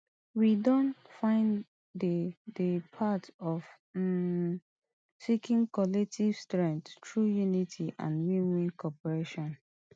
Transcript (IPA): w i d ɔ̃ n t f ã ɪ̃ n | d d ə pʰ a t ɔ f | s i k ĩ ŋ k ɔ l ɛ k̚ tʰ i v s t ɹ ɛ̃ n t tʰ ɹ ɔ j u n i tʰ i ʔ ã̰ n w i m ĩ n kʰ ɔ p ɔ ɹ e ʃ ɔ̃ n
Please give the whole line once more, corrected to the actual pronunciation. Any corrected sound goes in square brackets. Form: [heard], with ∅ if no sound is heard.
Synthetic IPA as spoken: w i d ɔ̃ n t f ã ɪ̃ n | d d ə pʰ a t ɔ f | s i k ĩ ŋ k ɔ l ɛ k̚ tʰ i v s t ɹ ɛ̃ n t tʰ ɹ [u] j u n i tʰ i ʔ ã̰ n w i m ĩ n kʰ ɔ p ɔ ɹ e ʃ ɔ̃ n